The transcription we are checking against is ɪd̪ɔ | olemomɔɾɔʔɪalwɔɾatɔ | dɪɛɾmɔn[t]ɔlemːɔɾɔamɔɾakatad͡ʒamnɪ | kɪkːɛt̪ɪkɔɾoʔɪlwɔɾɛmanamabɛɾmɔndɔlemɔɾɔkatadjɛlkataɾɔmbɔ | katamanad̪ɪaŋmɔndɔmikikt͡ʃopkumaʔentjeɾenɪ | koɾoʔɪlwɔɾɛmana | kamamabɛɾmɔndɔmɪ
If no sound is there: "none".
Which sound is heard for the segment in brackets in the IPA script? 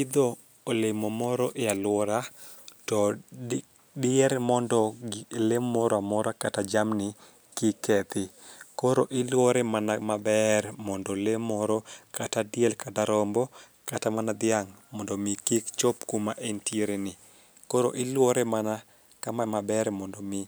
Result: d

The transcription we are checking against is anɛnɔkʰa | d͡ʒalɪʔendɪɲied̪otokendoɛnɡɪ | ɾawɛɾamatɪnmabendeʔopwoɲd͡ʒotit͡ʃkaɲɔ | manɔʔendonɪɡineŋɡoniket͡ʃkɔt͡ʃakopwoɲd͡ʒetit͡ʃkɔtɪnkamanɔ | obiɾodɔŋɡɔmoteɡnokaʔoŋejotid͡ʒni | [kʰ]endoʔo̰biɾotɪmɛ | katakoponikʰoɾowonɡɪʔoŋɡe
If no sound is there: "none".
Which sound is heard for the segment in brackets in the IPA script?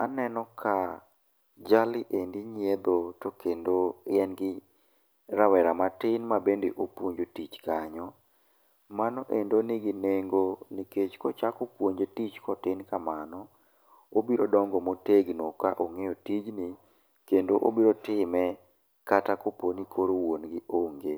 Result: k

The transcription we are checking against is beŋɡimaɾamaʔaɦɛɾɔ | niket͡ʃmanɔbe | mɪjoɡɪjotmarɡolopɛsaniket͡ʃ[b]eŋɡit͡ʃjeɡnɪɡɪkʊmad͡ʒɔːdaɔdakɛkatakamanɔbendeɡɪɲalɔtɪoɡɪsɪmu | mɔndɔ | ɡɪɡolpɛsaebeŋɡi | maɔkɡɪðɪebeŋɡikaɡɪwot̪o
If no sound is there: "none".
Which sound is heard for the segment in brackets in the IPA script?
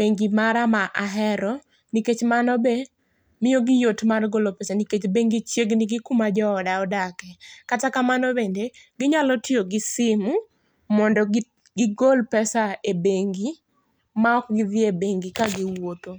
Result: b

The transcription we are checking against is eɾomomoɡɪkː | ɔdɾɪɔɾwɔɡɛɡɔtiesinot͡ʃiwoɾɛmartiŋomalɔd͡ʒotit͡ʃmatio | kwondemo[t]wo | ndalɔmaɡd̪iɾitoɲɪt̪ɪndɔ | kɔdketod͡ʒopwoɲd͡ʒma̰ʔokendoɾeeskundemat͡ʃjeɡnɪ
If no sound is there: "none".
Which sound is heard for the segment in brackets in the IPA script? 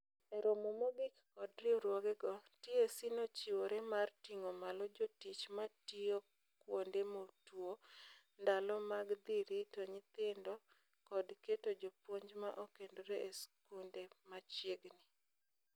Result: t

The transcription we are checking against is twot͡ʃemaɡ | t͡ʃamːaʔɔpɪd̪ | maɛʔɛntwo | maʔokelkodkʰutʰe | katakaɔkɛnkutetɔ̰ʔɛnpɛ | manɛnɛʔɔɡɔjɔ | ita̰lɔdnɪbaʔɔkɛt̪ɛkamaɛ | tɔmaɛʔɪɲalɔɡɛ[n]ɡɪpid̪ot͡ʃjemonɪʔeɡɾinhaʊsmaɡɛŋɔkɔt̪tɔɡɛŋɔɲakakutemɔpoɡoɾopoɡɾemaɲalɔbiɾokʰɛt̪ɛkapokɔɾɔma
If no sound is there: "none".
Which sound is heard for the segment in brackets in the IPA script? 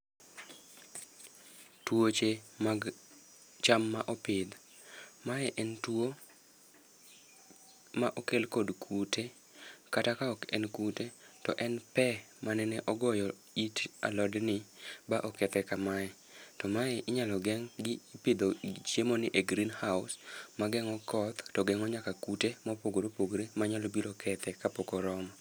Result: ŋ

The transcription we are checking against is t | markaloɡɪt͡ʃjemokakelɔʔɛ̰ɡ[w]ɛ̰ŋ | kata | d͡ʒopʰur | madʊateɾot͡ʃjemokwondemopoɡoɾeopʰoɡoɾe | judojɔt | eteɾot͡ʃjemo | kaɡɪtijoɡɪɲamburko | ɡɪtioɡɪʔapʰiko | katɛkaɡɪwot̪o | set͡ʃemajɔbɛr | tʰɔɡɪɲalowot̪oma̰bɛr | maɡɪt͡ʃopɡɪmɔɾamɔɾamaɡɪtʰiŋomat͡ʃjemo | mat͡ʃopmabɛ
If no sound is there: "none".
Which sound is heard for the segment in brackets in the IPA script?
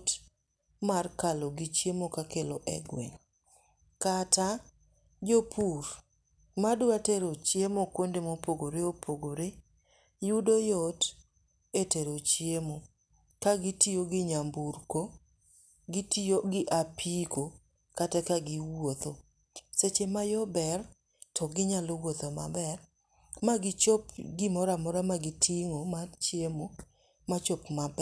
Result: w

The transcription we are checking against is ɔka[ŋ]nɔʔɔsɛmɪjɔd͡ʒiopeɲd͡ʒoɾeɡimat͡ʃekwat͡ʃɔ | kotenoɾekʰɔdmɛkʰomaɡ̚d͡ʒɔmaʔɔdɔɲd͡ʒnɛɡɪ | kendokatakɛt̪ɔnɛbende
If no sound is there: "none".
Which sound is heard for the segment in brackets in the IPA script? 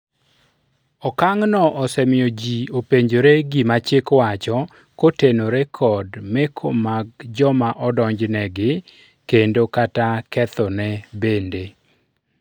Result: ŋ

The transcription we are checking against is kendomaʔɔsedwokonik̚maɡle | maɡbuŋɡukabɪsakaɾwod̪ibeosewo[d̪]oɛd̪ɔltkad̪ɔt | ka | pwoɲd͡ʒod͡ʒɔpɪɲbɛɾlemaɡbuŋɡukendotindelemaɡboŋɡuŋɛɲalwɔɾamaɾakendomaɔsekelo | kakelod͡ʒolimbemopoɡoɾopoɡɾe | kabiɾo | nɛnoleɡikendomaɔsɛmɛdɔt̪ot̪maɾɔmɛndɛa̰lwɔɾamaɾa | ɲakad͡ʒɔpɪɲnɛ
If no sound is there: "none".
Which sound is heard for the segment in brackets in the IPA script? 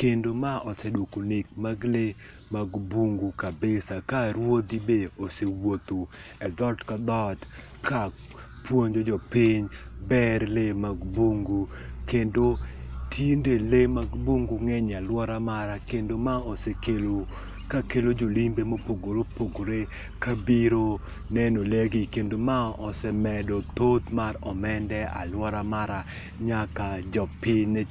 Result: t̪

